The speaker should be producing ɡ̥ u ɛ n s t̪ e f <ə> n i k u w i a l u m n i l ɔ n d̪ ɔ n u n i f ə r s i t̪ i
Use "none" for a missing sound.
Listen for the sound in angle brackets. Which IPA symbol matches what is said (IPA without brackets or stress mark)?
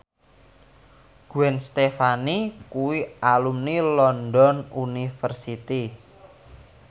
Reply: a